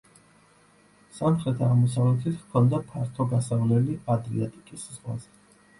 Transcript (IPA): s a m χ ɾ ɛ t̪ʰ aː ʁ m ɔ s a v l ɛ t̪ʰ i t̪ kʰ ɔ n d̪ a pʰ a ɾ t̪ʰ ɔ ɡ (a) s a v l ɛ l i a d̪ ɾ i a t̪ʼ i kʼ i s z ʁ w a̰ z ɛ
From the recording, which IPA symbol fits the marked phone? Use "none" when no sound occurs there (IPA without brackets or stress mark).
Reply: a